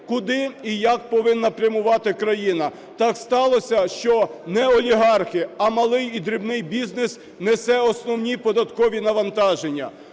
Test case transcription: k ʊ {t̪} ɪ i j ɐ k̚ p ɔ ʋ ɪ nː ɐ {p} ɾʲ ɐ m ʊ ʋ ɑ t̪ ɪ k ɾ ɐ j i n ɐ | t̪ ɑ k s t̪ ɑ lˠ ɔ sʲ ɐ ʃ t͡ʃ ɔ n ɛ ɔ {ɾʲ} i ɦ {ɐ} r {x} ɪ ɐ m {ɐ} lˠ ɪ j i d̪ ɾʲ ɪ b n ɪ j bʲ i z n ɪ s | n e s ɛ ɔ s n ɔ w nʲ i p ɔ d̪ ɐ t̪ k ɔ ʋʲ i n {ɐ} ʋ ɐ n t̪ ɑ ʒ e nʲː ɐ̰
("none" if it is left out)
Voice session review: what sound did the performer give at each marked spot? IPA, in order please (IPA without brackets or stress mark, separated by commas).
d̪, p, lʲ, ɑ, x, ɐ, ɐ